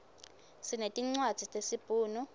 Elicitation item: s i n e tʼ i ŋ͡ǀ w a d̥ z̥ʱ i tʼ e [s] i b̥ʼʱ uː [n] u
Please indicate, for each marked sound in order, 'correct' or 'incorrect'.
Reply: correct, correct

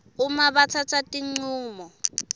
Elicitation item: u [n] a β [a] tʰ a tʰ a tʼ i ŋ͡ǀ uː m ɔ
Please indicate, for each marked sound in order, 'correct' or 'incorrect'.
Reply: incorrect: m, correct

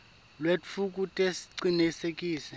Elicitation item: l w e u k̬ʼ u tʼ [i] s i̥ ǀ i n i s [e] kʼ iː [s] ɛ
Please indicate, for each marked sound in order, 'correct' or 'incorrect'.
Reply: incorrect: e, correct, correct

